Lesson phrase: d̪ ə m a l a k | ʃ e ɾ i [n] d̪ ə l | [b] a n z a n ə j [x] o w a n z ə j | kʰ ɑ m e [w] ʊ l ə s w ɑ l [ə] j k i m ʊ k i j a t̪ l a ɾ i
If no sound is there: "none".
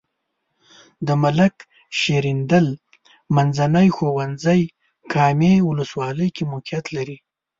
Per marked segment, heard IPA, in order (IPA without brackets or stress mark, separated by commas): n, m, x, w, ə